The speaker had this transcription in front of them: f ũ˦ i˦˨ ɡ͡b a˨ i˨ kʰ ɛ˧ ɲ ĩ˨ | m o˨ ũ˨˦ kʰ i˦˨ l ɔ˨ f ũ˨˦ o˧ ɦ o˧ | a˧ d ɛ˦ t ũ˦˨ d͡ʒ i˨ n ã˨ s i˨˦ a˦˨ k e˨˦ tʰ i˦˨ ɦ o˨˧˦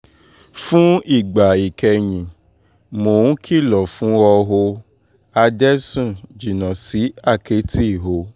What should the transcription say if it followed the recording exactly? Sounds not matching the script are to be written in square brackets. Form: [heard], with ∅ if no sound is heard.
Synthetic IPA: f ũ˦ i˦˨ ɡ͡b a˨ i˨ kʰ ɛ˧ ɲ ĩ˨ | m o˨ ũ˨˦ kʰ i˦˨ l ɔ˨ f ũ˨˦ [ɔ˧] ɦ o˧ | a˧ d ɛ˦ [s] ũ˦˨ d͡ʒ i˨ n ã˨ s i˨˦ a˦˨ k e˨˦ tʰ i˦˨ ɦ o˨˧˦

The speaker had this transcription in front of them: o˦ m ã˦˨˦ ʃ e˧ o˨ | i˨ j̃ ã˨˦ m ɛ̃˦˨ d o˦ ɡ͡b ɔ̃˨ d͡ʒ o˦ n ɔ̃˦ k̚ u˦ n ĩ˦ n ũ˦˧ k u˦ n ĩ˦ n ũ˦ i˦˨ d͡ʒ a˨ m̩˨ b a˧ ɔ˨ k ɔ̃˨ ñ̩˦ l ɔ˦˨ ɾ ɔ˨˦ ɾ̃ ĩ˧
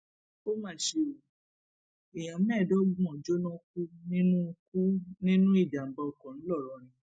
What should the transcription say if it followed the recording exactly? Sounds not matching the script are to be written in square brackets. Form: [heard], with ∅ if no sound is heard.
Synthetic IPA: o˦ m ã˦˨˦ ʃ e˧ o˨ | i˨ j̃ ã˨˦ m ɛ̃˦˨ d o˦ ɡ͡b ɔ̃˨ d͡ʒ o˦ n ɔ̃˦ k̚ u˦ n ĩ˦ n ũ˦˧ k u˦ n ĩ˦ n ũ˦ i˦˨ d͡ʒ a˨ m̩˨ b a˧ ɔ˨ k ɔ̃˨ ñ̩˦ l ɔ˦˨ ɾ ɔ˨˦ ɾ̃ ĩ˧

